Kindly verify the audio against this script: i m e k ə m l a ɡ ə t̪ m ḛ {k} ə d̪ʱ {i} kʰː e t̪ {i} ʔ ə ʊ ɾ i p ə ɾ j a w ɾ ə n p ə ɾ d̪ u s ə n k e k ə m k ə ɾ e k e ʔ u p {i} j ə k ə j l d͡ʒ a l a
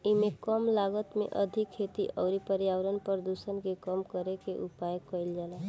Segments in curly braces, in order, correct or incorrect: incorrect: ʔ, correct, correct, incorrect: a

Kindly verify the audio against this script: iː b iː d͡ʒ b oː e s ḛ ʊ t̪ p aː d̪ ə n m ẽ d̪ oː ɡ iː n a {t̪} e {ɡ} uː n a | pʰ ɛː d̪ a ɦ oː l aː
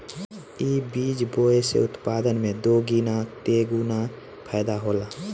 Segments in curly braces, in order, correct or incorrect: correct, correct

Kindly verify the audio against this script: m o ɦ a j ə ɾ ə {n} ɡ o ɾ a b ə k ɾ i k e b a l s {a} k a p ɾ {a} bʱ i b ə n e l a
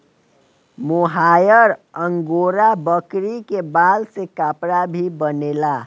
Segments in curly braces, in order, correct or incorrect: incorrect: ŋ, incorrect: e, correct

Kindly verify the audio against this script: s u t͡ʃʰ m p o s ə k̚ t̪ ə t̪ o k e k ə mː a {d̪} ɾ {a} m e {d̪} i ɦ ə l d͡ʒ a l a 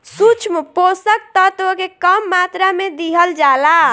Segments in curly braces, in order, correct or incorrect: incorrect: t̪, correct, correct

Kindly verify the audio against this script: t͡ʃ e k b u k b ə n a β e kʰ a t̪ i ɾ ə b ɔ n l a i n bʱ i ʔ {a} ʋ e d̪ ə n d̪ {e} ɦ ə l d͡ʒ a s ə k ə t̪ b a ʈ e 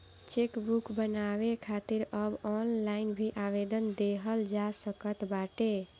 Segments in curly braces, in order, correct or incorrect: correct, correct

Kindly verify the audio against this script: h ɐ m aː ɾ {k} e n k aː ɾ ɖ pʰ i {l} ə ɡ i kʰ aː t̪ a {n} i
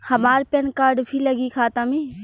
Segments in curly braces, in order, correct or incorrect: incorrect: p, correct, incorrect: m

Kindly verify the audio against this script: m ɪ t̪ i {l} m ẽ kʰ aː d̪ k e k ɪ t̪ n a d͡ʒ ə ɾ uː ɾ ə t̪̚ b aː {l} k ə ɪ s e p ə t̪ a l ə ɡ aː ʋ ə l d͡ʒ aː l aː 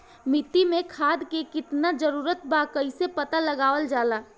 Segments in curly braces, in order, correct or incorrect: incorrect: none, incorrect: none

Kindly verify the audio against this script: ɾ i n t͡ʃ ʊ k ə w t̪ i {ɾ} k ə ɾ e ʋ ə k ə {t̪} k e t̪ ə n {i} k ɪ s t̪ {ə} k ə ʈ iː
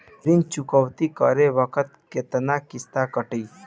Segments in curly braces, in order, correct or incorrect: incorrect: none, correct, incorrect: a, incorrect: a

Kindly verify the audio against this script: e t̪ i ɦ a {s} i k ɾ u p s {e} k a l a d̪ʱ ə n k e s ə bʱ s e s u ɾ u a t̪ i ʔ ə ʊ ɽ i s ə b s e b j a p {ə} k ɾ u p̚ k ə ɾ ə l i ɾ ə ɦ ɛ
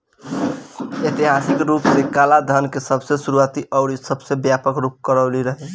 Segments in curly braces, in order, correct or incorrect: correct, correct, correct

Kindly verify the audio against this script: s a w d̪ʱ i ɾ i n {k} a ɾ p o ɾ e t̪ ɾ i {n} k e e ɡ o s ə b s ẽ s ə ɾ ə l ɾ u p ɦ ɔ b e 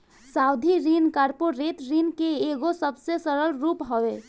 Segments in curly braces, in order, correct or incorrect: correct, correct

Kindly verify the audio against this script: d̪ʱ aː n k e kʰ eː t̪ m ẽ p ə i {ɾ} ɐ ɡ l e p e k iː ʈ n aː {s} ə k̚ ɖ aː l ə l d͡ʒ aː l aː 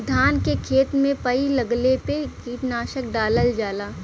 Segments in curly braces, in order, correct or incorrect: incorrect: l, incorrect: ʃ

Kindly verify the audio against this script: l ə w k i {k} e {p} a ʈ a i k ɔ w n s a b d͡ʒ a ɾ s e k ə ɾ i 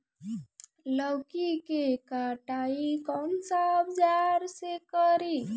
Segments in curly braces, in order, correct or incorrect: correct, incorrect: k

